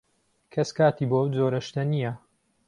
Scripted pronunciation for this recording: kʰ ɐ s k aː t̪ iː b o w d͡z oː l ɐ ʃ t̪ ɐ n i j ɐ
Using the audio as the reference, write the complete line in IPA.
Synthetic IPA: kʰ ɐ s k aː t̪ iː b o w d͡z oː ɾ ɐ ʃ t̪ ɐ n i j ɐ